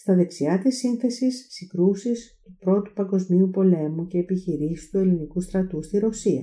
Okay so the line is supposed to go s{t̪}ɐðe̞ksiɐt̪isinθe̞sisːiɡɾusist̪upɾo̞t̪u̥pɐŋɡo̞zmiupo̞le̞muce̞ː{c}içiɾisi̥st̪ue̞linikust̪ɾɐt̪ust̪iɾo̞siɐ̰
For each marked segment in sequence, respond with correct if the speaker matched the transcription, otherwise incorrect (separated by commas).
correct, incorrect